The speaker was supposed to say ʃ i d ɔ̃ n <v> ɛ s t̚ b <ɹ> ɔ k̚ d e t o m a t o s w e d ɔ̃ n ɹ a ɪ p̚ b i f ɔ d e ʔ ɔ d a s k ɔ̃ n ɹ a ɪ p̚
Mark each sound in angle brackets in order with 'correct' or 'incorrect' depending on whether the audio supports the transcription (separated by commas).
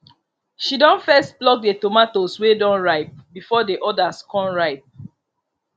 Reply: incorrect, incorrect